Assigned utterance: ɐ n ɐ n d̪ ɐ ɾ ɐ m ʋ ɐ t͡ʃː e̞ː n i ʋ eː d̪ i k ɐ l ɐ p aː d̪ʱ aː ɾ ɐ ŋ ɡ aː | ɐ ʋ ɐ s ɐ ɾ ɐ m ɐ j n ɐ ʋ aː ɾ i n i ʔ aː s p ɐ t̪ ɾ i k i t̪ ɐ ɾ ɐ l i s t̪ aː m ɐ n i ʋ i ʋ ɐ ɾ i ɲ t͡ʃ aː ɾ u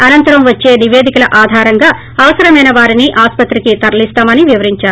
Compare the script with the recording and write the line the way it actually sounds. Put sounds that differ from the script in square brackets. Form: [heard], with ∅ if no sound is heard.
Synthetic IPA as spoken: ɐ n ɐ n [t̪] ɐ ɾ ɐ m ʋ ɐ t͡ʃː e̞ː n i ʋ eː d̪ i k ɐ l ɐ [ʔ] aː d̪ʱ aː ɾ ɐ ŋ ɡ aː | ɐ ʋ ɐ s ɐ ɾ ɐ m ɐ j n ɐ ʋ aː ɾ i n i ʔ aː s p ɐ t̪ ɾ i k i t̪ ɐ ɾ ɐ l i s t̪ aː m ɐ n i ʋ i ʋ ɐ ɾ i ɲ t͡ʃ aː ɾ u